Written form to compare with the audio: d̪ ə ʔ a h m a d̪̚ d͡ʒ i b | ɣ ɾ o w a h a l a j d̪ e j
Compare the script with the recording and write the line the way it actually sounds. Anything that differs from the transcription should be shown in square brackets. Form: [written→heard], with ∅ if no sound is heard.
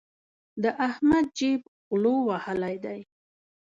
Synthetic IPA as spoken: d̪ ə ʔ a h m a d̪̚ d͡ʒ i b | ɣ [ɾ→l] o w a h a l a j d̪ [e→a] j